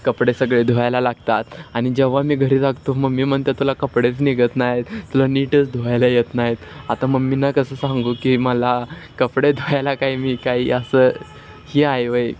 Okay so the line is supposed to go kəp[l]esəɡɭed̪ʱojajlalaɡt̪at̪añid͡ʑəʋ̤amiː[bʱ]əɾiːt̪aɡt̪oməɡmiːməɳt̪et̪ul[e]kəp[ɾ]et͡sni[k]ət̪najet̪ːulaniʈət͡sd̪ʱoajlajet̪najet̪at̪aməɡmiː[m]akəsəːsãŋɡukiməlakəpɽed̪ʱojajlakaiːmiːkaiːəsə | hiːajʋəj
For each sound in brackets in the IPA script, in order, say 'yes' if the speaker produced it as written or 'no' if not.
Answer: no, no, no, no, no, no

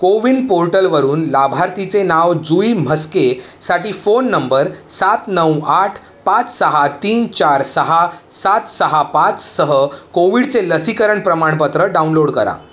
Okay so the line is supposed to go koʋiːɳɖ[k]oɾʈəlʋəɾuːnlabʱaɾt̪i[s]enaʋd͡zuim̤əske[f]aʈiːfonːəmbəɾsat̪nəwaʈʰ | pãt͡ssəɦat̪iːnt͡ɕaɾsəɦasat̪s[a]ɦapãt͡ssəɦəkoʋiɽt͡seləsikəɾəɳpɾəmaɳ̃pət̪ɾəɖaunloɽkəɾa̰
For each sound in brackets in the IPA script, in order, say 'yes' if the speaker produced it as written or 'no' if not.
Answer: no, no, no, no

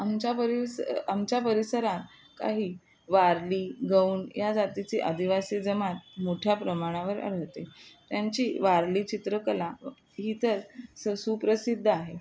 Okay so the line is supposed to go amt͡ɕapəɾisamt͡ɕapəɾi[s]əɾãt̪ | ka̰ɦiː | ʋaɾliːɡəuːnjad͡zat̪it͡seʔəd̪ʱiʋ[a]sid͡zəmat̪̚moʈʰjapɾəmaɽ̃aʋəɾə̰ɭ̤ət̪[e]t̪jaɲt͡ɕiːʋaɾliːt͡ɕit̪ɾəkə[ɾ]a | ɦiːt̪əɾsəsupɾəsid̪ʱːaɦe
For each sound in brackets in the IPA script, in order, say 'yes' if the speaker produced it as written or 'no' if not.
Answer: yes, yes, yes, no

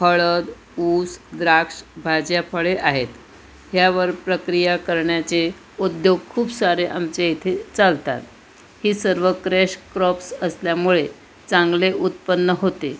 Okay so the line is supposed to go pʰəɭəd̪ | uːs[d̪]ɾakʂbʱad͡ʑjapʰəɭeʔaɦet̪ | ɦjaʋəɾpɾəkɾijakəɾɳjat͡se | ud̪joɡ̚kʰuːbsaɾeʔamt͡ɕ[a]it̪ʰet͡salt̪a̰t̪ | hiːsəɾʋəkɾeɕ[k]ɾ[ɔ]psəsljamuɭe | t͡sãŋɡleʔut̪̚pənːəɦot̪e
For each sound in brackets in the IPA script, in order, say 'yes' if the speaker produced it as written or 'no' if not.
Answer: yes, no, yes, yes

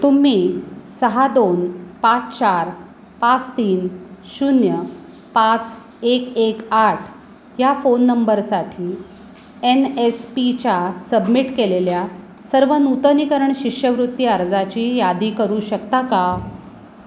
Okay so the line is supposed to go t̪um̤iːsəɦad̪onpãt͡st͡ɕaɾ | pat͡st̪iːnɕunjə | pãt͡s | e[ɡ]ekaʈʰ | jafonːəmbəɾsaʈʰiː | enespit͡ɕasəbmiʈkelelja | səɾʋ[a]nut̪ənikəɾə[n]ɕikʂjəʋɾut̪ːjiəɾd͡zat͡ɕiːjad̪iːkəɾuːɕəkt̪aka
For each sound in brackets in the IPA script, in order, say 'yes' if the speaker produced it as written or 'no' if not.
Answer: no, no, no

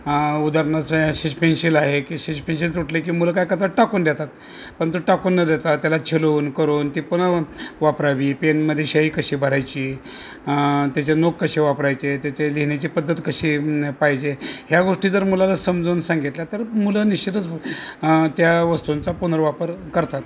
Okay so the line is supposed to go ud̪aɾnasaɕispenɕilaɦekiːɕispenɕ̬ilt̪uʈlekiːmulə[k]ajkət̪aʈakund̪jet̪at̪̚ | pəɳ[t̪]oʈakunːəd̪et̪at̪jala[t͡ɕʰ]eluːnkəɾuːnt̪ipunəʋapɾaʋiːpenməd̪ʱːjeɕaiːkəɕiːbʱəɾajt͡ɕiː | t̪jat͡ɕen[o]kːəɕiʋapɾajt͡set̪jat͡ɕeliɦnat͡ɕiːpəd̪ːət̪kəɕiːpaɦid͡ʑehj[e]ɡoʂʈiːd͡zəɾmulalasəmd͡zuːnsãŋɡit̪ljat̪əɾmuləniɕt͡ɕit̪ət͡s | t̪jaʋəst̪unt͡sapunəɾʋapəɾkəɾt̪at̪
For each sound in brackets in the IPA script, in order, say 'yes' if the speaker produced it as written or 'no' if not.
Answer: yes, yes, yes, yes, no

